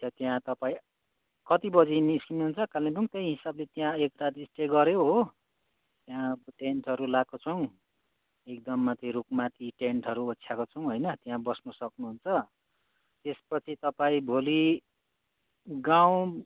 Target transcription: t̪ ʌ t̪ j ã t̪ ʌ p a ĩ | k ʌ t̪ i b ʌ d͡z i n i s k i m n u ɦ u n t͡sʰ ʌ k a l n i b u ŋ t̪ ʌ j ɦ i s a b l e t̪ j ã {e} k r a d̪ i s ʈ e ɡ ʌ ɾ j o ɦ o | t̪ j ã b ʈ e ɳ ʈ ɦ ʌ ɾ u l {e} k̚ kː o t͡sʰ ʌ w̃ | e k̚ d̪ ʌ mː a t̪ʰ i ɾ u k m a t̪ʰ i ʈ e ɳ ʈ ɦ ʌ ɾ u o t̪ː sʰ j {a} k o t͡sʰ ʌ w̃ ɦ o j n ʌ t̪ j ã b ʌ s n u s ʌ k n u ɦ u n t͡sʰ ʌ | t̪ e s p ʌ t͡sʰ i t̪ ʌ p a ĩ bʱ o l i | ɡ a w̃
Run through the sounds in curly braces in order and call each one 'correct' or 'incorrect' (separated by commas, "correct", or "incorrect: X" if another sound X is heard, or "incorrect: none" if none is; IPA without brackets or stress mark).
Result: correct, incorrect: a, correct